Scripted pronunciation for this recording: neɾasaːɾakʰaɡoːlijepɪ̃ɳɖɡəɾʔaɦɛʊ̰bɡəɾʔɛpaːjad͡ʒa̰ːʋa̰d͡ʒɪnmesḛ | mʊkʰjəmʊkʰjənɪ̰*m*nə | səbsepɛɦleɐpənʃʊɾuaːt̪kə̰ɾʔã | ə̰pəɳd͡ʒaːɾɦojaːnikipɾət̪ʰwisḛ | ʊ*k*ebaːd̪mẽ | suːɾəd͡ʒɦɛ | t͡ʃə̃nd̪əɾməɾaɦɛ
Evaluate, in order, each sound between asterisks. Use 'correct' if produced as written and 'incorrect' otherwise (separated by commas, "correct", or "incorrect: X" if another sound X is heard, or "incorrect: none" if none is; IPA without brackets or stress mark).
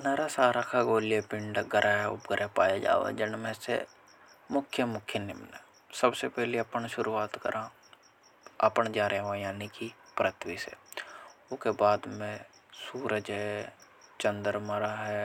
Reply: correct, correct